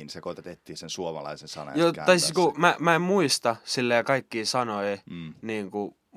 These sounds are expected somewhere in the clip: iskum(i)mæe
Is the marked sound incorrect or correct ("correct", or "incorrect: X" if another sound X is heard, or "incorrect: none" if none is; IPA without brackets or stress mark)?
incorrect: æ